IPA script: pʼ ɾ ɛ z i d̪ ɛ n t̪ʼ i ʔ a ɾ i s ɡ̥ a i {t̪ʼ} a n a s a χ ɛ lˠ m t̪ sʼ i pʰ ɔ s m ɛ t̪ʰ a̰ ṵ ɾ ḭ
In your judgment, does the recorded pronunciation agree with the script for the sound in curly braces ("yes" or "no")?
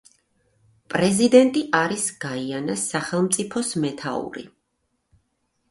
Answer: no